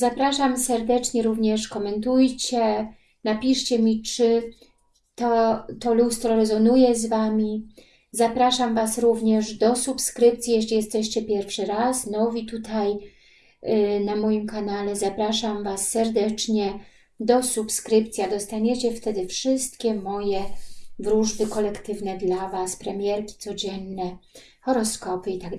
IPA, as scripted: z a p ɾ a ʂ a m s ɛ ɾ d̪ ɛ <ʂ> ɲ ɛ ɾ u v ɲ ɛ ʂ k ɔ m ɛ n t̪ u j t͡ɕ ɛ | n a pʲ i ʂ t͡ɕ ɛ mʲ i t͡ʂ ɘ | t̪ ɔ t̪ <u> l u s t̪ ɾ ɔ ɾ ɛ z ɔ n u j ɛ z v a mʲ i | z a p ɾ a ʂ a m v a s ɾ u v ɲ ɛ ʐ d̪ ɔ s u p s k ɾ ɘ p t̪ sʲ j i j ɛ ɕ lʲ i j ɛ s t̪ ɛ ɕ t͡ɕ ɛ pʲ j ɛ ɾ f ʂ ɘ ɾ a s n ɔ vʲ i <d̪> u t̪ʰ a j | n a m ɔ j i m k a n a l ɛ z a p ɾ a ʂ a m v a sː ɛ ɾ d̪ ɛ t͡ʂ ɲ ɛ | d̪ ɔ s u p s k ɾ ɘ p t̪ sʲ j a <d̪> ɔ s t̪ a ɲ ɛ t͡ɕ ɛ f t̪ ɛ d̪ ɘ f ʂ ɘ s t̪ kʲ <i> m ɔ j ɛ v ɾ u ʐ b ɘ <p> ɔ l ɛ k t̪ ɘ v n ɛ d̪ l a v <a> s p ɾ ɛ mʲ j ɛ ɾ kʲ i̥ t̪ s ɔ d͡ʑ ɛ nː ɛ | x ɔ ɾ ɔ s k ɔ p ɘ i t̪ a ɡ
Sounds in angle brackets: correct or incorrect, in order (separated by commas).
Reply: incorrect, incorrect, incorrect, correct, incorrect, incorrect, correct